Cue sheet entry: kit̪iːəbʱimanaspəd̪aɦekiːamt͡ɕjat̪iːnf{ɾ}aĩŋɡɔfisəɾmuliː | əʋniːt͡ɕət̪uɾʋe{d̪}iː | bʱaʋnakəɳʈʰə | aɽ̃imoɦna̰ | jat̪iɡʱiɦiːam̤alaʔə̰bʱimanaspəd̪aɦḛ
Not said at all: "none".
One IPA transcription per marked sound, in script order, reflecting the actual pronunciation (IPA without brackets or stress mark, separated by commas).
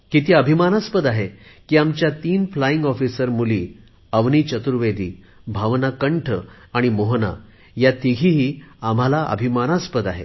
l, d̪